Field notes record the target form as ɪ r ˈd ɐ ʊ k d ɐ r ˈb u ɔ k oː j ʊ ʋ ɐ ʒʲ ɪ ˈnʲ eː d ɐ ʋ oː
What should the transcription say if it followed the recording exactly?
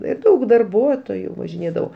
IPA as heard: ɪ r ˈd ɐ ʊ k d ɐ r ˈb u ɔ t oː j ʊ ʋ ɐ ʒʲ ɪ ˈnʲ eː d ɐ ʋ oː